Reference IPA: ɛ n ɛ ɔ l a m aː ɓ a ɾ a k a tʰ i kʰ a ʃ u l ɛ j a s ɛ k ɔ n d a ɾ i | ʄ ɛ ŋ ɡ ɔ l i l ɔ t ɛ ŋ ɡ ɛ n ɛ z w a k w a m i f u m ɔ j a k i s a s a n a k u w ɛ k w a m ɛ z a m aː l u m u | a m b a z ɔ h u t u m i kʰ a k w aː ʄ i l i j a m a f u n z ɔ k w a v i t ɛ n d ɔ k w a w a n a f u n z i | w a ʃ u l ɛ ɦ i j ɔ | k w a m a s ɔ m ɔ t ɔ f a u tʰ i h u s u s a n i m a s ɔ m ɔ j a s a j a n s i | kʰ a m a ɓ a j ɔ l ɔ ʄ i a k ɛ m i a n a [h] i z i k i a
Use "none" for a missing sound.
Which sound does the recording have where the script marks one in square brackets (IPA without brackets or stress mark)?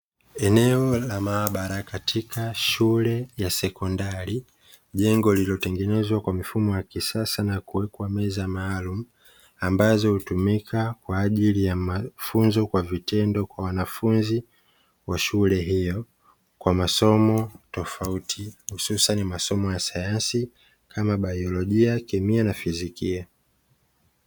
f